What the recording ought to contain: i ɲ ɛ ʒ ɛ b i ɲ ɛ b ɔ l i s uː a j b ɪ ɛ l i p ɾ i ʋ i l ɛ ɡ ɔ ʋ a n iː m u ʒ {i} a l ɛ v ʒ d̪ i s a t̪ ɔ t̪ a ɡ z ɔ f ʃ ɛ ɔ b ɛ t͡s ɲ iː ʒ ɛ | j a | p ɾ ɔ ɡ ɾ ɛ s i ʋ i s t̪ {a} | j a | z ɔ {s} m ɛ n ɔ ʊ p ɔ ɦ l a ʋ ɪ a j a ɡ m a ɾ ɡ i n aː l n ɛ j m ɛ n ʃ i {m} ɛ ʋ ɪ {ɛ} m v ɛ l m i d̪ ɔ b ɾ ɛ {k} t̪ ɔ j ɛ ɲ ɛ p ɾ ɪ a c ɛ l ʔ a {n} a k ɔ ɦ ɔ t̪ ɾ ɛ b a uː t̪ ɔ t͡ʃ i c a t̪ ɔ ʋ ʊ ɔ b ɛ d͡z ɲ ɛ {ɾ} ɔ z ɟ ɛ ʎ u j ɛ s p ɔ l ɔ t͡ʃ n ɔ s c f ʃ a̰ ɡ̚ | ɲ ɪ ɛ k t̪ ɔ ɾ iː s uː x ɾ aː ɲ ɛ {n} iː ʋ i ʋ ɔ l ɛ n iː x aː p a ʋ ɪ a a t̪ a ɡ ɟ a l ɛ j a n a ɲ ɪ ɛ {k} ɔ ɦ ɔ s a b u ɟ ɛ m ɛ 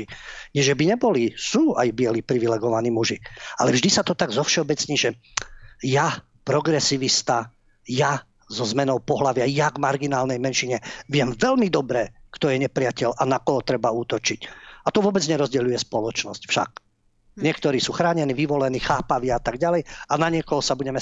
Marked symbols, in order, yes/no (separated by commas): yes, yes, no, no, yes, yes, yes, yes, yes, yes